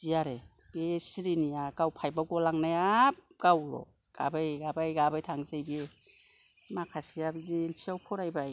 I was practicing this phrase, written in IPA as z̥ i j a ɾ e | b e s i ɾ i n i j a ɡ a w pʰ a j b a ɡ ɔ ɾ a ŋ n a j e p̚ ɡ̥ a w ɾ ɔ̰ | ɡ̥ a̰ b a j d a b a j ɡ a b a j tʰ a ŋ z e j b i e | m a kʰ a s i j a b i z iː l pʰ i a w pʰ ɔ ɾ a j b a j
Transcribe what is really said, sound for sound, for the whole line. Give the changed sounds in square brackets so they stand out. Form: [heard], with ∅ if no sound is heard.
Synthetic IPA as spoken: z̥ i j a ɾ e | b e s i ɾ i n i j a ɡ a w pʰ a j b a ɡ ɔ [l] a ŋ n a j [a] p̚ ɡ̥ a w ɾ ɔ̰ | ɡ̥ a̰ b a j [ɡ] a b a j ɡ a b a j tʰ a ŋ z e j b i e | m a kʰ a s i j a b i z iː l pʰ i a w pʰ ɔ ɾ a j b a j